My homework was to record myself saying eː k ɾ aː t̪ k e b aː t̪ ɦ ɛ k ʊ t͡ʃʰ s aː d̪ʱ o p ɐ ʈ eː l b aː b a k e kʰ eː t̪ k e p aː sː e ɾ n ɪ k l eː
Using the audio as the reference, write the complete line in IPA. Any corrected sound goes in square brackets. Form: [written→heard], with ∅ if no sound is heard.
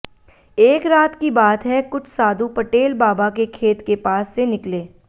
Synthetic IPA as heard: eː k ɾ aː t̪ k [e→i] b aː t̪ ɦ ɛ k ʊ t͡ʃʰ s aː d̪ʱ [o→u] p ɐ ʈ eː l b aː b a k e kʰ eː t̪ k e p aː sː e [ɾ→∅] n ɪ k l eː